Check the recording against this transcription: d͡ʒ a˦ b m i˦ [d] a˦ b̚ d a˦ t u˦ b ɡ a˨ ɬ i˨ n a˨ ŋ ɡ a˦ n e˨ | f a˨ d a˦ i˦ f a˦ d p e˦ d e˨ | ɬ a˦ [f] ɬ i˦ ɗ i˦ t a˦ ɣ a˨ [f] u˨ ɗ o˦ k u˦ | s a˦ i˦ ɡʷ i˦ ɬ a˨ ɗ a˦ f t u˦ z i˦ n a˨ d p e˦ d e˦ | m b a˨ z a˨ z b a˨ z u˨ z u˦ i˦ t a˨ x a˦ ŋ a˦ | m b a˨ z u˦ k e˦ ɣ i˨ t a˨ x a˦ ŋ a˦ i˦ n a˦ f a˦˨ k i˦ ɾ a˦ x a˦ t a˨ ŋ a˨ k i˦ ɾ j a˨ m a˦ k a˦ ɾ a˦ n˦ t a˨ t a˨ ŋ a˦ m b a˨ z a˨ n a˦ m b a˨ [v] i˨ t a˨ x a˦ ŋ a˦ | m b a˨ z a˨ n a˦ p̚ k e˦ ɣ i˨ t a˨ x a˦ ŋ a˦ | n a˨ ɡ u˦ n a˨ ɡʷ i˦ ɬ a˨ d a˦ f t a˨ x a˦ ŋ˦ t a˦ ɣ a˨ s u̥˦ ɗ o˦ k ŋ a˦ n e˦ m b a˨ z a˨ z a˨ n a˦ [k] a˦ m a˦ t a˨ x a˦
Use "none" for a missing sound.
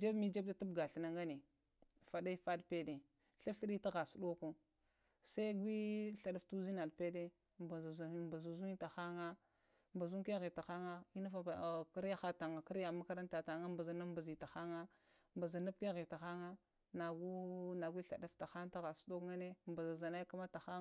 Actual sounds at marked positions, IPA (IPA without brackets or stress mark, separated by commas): d͡ʒ, f, s, z, k